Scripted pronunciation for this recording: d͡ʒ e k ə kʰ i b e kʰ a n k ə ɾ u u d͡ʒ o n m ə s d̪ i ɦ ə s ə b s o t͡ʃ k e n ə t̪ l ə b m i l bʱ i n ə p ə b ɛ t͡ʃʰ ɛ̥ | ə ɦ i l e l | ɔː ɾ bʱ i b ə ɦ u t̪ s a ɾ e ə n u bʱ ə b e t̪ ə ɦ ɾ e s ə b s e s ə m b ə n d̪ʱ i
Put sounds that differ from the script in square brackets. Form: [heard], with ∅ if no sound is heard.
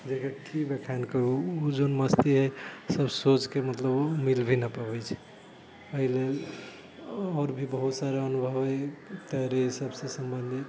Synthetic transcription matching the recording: d͡ʒ e k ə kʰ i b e kʰ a n k ə ɾ u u d͡ʒ o n m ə s [t̪] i ɦ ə s ə b s o t͡ʃ k e [m] ə t̪ l ə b m i l bʱ i n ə p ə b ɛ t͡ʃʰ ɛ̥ | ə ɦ i l e l | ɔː ɾ bʱ i b ə ɦ u t̪ s a ɾ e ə n u bʱ ə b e t̪ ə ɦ ɾ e s ə b s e s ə m b ə n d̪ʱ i